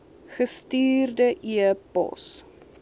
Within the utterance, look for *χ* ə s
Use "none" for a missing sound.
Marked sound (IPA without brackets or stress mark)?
χ